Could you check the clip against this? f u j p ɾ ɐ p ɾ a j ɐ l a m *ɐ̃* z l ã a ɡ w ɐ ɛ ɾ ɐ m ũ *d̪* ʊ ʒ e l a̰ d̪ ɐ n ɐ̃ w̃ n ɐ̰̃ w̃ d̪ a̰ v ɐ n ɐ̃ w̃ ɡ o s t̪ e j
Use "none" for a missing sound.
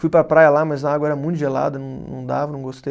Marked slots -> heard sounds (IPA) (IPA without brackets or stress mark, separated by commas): ɐ, t̪